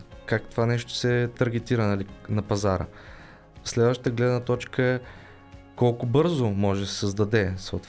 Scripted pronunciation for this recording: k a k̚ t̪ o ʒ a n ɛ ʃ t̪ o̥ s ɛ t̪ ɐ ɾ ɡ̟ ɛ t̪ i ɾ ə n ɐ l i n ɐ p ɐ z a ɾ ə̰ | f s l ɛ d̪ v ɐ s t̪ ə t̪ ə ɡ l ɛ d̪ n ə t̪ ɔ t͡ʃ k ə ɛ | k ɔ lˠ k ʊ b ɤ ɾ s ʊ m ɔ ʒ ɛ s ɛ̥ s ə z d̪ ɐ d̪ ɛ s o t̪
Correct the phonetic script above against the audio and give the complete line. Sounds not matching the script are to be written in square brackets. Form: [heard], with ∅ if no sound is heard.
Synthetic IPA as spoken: k a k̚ t̪ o [v] a n ɛ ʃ t̪ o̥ s ɛ t̪ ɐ ɾ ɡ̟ ɛ t̪ i ɾ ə n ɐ l i n ɐ p ɐ z a ɾ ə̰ | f s l ɛ d̪ v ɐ [ʃ] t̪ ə t̪ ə ɡ l ɛ d̪ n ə t̪ ɔ t͡ʃ k ə ɛ | k ɔ lˠ k ʊ b ɤ ɾ [z] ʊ m ɔ ʒ ɛ s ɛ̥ s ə z d̪ ɐ d̪ ɛ s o t̪